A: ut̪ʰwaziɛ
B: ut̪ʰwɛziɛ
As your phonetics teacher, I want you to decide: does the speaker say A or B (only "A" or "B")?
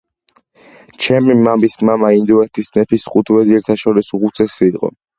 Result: B